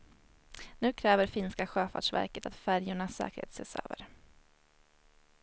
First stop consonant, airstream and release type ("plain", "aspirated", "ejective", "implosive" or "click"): aspirated